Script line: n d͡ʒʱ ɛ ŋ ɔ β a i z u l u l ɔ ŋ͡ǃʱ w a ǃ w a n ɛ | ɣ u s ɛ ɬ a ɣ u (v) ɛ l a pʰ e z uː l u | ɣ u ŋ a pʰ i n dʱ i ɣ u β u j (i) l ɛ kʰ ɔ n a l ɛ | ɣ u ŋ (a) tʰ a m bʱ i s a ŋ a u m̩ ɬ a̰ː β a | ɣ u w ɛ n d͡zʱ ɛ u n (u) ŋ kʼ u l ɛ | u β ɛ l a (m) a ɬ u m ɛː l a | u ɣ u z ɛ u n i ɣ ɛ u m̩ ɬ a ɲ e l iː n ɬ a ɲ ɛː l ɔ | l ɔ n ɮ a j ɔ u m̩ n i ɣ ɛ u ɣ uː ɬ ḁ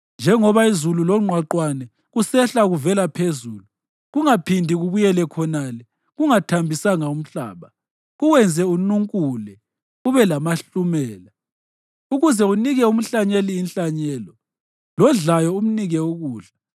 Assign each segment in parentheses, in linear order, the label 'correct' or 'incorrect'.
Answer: correct, incorrect, correct, correct, correct

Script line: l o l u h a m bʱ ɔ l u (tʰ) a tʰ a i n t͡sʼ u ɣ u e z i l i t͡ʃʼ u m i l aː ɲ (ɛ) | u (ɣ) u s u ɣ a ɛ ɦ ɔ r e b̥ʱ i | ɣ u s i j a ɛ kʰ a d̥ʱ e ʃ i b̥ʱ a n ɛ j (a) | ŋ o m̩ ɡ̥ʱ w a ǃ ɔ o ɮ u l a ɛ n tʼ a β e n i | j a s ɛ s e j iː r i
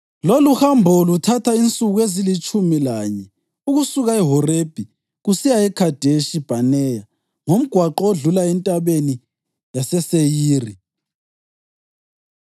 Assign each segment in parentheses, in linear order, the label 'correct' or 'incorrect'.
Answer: correct, correct, correct, correct

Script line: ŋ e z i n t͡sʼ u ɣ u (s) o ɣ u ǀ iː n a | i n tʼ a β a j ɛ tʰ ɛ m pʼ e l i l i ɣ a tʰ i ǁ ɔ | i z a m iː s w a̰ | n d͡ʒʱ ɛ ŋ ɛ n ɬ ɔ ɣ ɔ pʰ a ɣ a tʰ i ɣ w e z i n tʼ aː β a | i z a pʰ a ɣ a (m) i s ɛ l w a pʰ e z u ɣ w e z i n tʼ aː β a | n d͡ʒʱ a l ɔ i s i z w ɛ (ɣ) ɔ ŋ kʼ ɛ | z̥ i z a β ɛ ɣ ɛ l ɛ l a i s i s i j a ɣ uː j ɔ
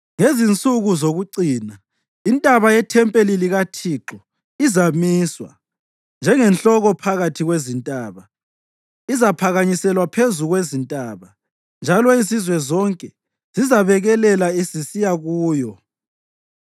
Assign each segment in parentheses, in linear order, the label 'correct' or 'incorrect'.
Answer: incorrect, incorrect, incorrect

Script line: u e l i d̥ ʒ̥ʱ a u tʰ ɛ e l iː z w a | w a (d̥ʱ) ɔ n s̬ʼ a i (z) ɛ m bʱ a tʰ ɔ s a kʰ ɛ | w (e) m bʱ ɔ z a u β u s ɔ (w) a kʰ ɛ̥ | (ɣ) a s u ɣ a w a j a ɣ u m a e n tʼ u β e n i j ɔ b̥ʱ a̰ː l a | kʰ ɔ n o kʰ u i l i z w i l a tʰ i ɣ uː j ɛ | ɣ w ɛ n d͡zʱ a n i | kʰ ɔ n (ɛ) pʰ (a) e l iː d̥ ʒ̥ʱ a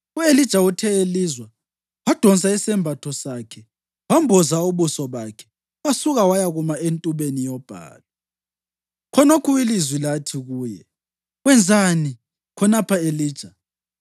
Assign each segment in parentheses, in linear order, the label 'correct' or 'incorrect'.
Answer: correct, incorrect, incorrect, incorrect, incorrect, incorrect, correct

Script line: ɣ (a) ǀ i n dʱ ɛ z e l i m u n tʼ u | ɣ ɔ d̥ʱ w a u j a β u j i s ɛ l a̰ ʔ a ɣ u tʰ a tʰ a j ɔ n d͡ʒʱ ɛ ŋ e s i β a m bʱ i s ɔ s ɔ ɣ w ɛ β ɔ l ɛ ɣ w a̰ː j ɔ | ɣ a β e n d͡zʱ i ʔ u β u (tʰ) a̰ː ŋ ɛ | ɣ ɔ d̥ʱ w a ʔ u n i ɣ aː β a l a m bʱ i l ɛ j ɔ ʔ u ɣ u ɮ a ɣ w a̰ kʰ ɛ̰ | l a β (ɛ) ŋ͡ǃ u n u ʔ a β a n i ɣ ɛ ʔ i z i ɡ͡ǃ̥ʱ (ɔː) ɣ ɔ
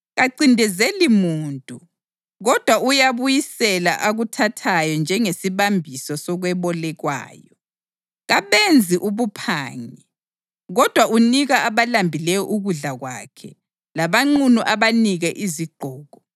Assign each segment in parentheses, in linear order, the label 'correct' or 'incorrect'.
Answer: correct, incorrect, incorrect, correct

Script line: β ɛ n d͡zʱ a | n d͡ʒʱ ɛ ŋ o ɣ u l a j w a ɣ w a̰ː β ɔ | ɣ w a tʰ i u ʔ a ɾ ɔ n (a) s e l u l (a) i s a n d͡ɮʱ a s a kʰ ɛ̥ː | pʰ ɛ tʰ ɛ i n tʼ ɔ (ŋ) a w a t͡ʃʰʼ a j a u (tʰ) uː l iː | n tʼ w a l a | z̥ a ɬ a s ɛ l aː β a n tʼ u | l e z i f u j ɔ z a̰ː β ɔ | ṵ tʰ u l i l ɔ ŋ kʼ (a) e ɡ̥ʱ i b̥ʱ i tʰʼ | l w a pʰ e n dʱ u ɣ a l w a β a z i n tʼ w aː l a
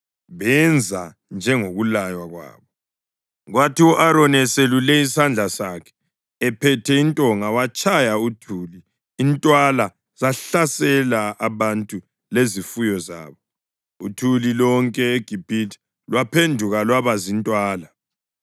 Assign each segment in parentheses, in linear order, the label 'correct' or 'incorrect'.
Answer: incorrect, incorrect, correct, correct, incorrect

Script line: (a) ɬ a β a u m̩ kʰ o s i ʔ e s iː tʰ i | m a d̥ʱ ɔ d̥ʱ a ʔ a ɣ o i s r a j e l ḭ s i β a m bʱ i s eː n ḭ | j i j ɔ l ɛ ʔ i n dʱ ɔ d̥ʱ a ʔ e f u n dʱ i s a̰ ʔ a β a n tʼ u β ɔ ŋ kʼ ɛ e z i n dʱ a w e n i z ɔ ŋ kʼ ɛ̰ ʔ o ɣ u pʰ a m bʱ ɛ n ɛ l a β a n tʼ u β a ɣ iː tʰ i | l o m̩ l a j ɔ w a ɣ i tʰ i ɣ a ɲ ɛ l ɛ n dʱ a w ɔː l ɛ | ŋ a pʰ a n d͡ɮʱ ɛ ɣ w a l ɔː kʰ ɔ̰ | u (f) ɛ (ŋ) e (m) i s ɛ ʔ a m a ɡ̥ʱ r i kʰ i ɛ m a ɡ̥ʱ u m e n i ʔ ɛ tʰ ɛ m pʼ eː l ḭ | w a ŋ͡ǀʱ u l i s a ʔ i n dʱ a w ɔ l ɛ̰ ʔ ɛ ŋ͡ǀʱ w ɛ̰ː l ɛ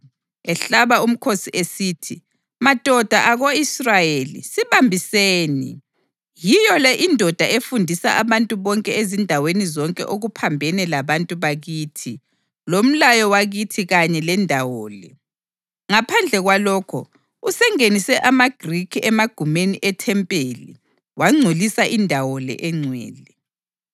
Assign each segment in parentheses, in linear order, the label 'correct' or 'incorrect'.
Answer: incorrect, incorrect, correct, incorrect

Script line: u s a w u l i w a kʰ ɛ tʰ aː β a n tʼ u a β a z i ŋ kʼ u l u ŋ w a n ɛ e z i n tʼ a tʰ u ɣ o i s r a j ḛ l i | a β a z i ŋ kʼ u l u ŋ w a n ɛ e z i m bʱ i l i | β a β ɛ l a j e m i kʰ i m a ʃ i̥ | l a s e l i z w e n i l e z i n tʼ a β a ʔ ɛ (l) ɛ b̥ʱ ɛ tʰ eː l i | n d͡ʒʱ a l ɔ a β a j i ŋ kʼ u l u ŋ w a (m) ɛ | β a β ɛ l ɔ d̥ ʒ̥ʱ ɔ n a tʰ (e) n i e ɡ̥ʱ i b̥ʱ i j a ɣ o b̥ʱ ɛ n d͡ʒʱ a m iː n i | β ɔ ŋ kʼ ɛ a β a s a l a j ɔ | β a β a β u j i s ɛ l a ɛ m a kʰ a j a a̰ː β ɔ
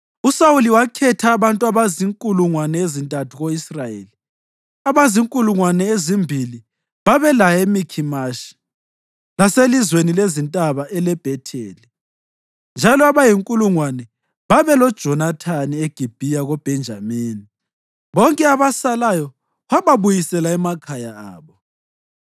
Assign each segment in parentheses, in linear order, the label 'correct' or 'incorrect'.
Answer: correct, incorrect, incorrect

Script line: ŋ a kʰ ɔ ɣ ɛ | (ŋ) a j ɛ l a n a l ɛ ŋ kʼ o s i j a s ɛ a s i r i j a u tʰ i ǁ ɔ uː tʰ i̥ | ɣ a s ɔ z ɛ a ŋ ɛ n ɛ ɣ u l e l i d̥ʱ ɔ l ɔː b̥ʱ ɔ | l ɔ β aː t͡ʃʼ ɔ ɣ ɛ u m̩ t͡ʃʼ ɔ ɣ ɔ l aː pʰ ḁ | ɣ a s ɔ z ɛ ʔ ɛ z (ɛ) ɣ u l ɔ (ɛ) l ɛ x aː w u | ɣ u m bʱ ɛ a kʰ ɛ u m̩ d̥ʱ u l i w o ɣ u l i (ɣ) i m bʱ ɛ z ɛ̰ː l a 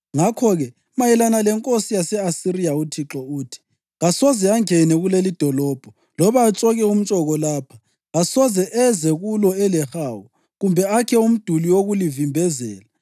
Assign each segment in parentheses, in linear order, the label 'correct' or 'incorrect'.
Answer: incorrect, correct, correct, incorrect

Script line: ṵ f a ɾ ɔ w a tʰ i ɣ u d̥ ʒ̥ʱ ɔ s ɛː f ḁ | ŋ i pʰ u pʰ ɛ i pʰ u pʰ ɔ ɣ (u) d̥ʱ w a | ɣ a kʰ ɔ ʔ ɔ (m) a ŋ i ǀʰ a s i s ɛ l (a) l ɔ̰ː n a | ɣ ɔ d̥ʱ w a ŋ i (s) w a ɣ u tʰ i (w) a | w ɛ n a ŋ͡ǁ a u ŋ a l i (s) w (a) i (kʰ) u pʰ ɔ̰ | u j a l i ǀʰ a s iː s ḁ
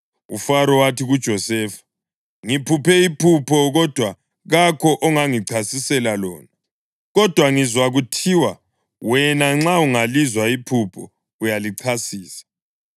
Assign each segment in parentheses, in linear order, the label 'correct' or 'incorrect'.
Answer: incorrect, incorrect, correct, incorrect, correct, incorrect, correct, incorrect

